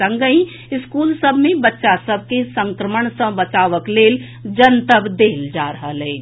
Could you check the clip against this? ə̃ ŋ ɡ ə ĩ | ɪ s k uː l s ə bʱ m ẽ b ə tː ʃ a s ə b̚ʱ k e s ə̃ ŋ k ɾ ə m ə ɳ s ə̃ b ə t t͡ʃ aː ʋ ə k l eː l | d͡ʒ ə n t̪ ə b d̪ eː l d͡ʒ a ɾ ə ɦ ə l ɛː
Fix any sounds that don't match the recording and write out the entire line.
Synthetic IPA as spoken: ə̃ ŋ ɡ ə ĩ | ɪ s k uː l s ə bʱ m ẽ b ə tː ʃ a s ə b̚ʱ k e s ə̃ ŋ k ɾ ə m ə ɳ s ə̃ b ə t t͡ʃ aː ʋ ə k l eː l | d͡ʒ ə n t̪ ə b d̪ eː l d͡ʒ a ɾ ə ɦ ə l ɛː